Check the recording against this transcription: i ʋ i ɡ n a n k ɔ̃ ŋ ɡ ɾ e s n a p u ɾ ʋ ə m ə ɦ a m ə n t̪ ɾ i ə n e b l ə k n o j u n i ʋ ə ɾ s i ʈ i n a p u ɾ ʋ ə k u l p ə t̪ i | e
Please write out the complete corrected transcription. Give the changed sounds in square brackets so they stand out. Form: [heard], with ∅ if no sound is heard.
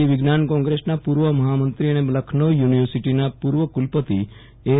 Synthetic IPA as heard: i ʋ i ɡ n a n k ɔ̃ ŋ ɡ ɾ e s n a p u ɾ ʋ ə m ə ɦ a m ə n t̪ ɾ i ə n e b l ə [kʰ] n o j u n i ʋ ə ɾ s i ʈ i n a p u ɾ ʋ ə k u l p ə t̪ i | e